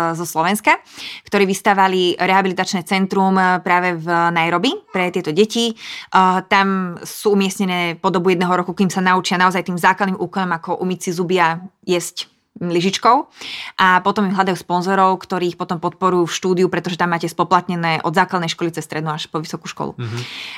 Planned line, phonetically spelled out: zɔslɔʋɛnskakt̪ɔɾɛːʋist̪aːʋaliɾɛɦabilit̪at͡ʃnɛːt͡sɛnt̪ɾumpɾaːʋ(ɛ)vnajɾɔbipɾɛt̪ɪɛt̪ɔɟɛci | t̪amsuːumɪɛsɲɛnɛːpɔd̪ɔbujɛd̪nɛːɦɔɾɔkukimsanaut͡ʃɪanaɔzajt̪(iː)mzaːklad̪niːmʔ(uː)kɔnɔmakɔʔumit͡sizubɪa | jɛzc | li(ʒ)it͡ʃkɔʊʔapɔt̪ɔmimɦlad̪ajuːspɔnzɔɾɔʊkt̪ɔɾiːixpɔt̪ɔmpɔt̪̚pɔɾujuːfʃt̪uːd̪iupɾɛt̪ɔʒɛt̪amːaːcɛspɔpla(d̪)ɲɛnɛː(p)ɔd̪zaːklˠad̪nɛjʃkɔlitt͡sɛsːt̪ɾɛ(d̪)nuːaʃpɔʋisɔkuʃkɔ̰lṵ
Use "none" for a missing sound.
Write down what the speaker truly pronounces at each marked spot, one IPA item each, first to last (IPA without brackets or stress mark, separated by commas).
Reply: ɛ, iː, uː, ʒ, t̪, ʔ, d̪